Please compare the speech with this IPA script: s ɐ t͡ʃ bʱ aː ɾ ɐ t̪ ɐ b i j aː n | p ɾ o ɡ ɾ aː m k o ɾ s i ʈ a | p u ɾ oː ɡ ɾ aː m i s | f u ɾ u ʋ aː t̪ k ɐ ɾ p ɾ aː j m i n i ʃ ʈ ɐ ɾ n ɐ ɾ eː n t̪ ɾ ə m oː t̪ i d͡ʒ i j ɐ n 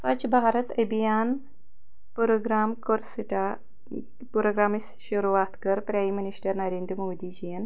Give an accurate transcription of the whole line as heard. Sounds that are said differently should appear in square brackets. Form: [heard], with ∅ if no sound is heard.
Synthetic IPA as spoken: s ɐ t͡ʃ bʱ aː ɾ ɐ t̪ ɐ b i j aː n | p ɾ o ɡ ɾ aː m k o ɾ s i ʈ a | p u ɾ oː ɡ ɾ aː m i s | [ʃ] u ɾ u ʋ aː t̪ k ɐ ɾ p ɾ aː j m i n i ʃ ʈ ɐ ɾ n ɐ ɾ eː n [d̪] ɾ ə m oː [d̪] i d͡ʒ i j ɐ n